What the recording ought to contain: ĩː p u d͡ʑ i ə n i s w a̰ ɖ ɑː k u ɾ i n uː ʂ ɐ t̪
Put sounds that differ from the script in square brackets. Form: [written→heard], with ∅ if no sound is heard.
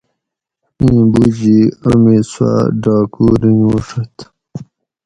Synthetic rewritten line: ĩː [p→b] u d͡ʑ i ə [n→m] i s w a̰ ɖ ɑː k u ɾ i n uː ʂ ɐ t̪